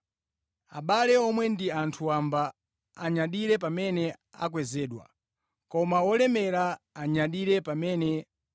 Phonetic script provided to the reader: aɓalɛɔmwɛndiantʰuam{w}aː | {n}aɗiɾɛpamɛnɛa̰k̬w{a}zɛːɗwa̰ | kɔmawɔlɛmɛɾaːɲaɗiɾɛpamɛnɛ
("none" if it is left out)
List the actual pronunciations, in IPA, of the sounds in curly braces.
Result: b, ɲ, ɛ

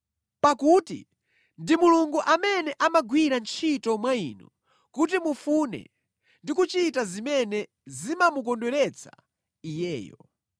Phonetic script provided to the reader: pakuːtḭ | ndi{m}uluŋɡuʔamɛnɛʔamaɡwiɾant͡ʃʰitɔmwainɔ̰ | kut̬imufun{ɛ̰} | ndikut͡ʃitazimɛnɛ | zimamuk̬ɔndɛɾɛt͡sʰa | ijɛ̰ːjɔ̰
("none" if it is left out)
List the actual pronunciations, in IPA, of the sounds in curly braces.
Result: m, ɛ̰

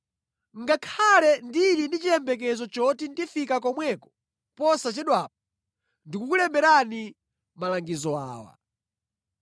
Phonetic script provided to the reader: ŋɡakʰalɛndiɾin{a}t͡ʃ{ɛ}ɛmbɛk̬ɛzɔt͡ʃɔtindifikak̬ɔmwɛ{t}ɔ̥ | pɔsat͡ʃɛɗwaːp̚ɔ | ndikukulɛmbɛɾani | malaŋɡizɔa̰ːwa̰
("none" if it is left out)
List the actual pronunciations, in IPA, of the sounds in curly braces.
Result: i, i, k

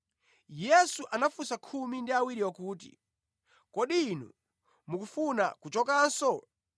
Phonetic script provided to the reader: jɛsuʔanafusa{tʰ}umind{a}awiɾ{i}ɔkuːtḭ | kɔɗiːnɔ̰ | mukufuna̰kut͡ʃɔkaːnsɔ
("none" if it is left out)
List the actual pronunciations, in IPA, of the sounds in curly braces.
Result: kʰ, i, i

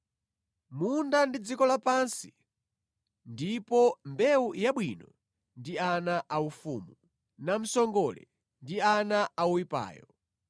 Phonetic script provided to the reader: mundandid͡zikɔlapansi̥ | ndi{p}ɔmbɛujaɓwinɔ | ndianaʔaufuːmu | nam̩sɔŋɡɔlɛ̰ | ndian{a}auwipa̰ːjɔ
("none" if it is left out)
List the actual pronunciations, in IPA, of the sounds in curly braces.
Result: p, a

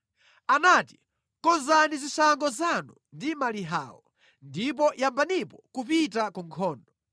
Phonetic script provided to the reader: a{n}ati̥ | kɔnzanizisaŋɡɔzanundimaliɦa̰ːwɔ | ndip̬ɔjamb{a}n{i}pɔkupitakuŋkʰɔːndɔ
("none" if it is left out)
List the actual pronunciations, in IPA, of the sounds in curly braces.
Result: n, a, i

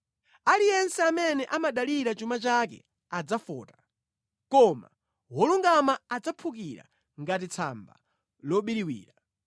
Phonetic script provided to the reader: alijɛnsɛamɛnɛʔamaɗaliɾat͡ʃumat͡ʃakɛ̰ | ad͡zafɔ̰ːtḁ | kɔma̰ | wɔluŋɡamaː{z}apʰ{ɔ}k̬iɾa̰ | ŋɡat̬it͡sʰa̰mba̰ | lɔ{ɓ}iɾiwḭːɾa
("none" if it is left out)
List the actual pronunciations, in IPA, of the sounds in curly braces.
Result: d͡z, u, ɓ

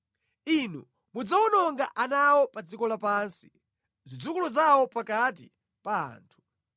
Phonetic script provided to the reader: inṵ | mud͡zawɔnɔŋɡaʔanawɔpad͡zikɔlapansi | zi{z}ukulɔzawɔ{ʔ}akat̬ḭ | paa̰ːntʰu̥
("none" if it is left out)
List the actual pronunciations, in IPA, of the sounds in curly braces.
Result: d͡z, p

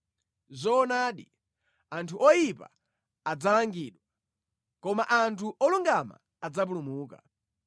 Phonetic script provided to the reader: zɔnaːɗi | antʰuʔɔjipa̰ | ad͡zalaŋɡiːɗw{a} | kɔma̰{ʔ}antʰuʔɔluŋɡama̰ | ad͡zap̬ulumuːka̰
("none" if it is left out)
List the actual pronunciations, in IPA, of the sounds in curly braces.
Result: a, ʔ

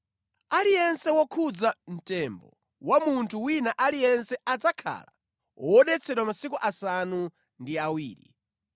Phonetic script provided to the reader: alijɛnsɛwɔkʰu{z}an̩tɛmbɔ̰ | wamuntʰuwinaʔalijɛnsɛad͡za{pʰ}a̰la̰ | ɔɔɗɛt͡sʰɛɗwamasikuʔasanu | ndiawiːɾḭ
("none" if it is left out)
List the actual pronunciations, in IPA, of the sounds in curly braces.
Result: d͡z, kʰ

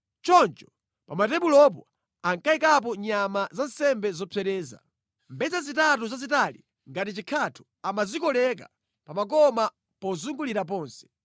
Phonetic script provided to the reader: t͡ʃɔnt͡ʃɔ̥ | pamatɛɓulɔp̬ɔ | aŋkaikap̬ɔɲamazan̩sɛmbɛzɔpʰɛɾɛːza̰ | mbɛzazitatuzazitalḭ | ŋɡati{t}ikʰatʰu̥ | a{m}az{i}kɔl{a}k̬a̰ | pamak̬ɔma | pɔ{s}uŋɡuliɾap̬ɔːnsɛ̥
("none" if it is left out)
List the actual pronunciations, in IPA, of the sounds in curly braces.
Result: t͡ʃ, m, i, ɛ, z

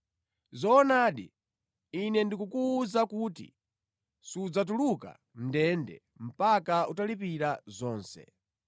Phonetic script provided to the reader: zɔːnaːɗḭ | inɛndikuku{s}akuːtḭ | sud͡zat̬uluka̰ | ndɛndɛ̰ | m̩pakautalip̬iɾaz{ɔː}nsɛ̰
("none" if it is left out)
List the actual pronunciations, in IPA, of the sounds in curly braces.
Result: z, ɔː

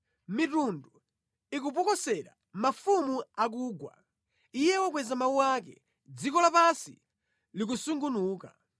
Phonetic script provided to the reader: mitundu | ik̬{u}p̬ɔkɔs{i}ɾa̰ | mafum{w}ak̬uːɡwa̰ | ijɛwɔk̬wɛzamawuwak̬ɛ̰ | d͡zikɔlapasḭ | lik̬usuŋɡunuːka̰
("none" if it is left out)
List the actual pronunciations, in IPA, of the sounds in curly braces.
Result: u, ɛ, u

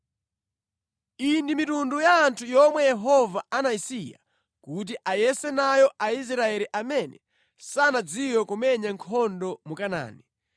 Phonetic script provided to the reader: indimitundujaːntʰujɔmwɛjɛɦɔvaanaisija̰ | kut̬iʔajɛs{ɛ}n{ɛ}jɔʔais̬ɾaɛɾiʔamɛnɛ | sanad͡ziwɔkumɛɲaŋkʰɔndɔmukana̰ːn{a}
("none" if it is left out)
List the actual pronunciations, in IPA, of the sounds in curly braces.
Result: ɛ, a, i

